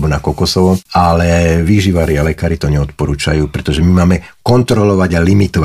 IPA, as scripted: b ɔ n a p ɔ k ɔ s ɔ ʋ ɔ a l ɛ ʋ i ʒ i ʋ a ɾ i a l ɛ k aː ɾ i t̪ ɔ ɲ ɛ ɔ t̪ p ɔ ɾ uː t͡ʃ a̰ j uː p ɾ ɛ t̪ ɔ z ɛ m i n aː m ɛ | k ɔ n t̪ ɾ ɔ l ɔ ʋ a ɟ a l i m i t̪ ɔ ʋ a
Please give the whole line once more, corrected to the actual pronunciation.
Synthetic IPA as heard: b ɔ n a k ɔ k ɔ s ɔ ʋ ɔ a l ɛ ʋ i ʒ i ʋ a ɾ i a l ɛ k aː ɾ i t̪ ɔ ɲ ɛ ɔ t̪ p ɔ ɾ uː t͡ʃ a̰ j uː p ɾ ɛ t̪ ɔ ʒ ɛ m i m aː m ɛ | k ɔ n t̪ ɾ ɔ l ɔ ʋ a ɟ a l i m i t̪ ɔ ʋ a